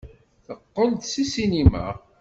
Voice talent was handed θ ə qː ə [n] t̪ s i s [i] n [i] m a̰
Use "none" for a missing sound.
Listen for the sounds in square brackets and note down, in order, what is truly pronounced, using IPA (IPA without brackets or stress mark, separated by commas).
n, i, i